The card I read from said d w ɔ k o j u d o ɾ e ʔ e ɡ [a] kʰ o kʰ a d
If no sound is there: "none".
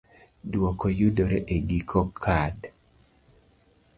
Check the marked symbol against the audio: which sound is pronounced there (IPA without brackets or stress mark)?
i